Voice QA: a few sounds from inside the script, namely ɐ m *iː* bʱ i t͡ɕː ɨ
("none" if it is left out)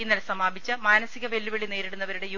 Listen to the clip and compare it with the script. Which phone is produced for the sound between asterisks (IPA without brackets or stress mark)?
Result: aː